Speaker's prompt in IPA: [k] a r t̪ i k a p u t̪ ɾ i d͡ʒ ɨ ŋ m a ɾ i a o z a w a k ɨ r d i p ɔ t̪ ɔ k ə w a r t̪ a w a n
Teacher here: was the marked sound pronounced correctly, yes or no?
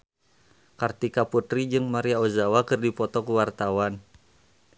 yes